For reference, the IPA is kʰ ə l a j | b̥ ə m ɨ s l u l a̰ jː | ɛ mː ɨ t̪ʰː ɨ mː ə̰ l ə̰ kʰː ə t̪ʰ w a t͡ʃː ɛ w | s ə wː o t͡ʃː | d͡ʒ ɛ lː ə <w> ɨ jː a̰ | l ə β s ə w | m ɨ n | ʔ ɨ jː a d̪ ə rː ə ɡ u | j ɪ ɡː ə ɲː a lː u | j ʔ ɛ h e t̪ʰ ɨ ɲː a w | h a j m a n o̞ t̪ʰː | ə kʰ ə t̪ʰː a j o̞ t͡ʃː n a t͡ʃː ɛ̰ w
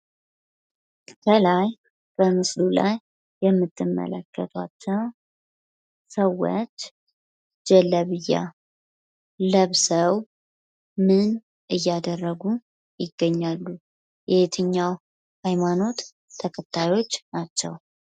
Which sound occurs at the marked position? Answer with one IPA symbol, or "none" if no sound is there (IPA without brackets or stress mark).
β